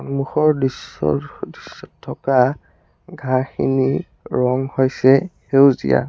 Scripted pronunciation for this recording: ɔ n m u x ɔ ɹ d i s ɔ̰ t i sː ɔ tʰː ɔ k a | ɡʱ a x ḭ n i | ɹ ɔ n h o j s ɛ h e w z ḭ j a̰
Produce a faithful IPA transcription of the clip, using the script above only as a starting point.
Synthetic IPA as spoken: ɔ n m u x ɔ ɹ d i s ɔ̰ d i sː ɔ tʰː ɔ k a | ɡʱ a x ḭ n i | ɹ ɔ ŋ h o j s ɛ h e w z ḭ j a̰